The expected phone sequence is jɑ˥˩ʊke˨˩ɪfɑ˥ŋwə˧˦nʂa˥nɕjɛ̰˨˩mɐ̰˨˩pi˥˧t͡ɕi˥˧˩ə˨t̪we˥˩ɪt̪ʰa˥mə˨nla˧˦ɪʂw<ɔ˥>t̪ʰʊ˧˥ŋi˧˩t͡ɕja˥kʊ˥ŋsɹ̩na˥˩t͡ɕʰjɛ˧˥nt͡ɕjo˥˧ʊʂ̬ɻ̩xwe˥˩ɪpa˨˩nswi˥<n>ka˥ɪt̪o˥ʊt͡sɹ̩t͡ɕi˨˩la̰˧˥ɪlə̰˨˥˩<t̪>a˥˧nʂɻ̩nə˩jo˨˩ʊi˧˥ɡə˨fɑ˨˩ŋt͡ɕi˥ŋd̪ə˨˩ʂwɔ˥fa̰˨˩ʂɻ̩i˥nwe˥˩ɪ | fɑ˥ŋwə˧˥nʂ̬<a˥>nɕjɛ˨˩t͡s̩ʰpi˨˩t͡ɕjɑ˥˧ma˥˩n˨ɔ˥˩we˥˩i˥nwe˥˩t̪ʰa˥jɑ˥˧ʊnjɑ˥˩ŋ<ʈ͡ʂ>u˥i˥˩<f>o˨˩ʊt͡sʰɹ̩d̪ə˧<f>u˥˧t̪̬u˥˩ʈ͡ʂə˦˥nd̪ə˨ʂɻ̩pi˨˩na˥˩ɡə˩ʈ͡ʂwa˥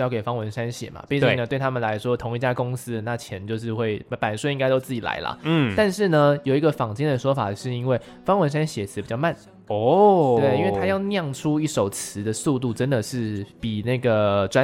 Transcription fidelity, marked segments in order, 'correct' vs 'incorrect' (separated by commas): correct, incorrect, correct, correct, incorrect, incorrect, incorrect